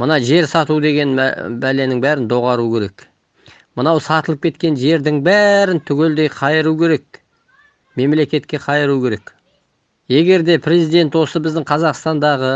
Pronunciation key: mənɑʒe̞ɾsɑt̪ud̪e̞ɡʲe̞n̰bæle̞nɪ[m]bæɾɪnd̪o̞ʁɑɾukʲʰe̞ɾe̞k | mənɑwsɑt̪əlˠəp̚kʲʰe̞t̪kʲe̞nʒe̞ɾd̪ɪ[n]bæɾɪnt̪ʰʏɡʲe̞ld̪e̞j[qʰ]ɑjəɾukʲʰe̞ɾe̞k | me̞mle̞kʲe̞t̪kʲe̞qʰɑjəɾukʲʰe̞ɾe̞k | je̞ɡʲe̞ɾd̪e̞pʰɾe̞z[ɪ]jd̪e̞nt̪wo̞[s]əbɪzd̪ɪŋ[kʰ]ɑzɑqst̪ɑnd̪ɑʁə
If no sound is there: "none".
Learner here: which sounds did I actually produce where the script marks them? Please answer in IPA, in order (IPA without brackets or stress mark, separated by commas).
ŋ, ŋ, qʰ, i, s, qʰ